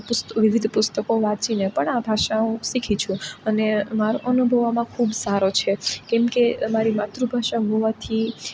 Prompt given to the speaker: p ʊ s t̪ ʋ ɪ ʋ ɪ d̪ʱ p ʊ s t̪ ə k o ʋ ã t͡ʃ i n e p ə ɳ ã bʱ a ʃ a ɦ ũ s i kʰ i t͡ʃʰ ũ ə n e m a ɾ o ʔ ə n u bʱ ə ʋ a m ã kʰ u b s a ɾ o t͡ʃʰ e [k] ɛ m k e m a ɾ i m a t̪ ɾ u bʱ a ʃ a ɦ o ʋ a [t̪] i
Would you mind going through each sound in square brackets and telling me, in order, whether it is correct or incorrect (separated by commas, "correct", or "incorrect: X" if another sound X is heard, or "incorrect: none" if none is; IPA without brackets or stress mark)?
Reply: correct, incorrect: t̪ʰ